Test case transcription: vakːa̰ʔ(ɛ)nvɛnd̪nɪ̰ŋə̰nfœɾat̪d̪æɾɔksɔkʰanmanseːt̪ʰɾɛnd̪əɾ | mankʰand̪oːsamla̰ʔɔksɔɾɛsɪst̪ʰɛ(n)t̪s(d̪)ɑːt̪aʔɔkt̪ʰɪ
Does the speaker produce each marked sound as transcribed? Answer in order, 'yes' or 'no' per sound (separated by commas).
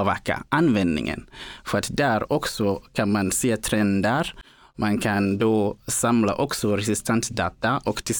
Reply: no, yes, yes